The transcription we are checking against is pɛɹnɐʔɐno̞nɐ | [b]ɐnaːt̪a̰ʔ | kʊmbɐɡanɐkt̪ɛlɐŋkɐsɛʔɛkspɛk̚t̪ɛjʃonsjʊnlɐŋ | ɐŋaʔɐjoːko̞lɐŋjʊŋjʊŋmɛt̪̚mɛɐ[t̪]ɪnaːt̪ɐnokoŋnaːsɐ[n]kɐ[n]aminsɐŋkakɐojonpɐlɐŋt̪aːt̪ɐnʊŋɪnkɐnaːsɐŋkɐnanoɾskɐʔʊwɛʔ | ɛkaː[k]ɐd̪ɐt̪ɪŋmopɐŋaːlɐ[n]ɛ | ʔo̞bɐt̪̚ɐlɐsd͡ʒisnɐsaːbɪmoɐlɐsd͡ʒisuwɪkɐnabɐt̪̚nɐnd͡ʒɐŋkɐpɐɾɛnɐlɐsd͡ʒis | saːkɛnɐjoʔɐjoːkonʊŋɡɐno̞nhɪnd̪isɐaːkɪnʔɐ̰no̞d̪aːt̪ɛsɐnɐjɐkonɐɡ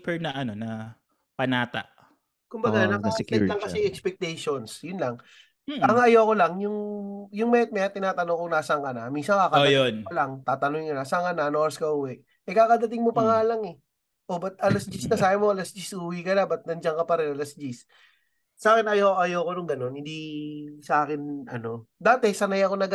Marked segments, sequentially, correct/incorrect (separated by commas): incorrect, correct, incorrect, correct, correct, incorrect